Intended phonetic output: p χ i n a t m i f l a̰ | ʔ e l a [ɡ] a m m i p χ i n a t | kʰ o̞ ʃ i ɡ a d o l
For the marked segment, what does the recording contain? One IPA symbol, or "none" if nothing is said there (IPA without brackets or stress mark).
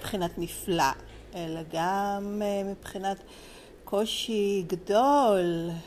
ɡ